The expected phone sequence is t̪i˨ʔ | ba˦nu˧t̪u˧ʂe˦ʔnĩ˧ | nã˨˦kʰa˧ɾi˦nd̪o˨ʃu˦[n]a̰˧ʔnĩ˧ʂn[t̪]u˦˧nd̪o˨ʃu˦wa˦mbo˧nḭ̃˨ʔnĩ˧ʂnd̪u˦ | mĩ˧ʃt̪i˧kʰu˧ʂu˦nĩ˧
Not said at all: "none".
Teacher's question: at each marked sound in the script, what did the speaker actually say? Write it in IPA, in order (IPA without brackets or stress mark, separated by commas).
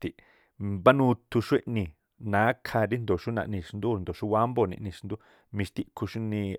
n, d̪